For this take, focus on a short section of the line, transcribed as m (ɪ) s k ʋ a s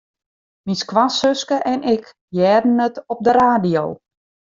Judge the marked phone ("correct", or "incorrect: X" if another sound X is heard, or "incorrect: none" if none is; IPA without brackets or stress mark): incorrect: i